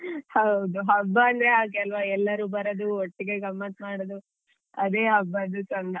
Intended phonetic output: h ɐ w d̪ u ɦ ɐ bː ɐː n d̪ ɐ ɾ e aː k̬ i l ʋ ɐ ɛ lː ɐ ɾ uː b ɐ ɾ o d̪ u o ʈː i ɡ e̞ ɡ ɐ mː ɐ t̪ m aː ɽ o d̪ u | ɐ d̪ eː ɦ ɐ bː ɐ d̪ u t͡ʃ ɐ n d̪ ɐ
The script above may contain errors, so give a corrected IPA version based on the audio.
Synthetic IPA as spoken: h ɐ w d̪ u ɦ ɐ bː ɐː n d̪ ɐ ɾ e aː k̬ ɛ l ʋ ɐ ɛ lː ɐ ɾ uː b ɐ ɾ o d̪ u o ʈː i ɡ e̞ ɡ ɐ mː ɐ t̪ m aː ɽ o d̪ u | ɐ d̪ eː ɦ ɐ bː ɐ d̪ u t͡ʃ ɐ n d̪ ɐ